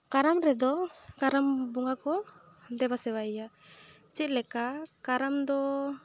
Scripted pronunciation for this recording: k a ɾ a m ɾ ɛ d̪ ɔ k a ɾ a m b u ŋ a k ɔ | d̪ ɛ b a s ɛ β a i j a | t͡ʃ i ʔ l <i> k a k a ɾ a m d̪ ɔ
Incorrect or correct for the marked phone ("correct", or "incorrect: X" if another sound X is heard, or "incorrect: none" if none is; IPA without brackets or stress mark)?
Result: incorrect: ɛ